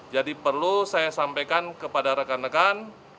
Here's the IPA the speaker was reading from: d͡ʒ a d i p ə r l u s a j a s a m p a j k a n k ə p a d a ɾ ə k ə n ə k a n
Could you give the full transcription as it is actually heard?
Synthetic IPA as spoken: d͡ʒ a d i p ə r l u s a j a s a m p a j k a n k ə p a d a ɾ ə k a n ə k a n